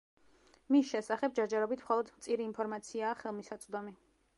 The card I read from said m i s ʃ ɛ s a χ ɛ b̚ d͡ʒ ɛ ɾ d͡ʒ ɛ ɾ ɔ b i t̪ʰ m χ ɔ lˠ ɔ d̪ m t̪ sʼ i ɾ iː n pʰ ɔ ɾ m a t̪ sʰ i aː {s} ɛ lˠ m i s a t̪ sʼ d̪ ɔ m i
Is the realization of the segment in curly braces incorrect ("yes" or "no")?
yes